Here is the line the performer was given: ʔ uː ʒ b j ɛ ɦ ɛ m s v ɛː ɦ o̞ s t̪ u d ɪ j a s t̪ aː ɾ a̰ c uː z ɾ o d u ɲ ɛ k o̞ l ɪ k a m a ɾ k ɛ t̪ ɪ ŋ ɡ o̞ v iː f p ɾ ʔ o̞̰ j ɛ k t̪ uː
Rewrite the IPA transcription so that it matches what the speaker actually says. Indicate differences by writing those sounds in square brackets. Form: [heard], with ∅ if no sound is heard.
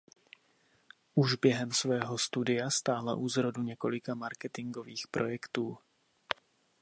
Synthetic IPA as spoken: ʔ [u] ʒ b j ɛ ɦ ɛ m s v ɛː ɦ o̞ s t̪ u d ɪ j a s t̪ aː [l] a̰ [ʔ] uː z ɾ o d u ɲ ɛ k o̞ l ɪ k a m a ɾ k ɛ t̪ ɪ ŋ ɡ o̞ v iː [x] p ɾ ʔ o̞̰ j ɛ k t̪ uː